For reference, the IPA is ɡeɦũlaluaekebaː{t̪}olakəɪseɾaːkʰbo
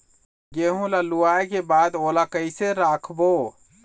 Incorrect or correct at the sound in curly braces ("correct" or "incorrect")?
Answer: incorrect